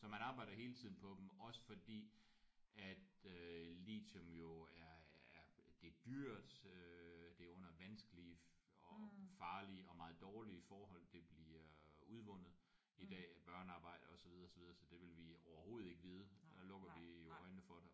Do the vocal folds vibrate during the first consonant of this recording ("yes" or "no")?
no